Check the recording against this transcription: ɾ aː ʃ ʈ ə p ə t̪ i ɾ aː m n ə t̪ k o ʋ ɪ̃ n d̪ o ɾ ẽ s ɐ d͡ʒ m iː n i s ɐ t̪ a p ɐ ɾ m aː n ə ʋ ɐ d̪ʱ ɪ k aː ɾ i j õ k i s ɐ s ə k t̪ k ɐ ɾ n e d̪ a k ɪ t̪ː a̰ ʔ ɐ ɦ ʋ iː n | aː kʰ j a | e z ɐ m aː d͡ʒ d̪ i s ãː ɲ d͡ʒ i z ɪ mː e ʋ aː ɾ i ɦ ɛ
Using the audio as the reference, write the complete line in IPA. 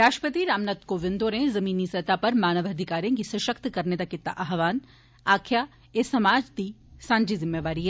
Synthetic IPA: ɾ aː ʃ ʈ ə p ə t̪ i ɾ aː m n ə t̪ k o ʋ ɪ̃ n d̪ o ɾ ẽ z ɐ m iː n i s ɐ t̪ a p ɐ ɾ m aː n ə ʋ ɐ d̪ʱ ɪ k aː ɾ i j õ k i s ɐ ʃ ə k t̪ k ɐ ɾ n e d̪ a k ɪ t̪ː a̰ ʔ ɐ ɦ ʋ aː n | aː kʰ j a | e s ɐ m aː d͡ʒ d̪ i s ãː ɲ d͡ʒ i z ɪ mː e ʋ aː ɾ i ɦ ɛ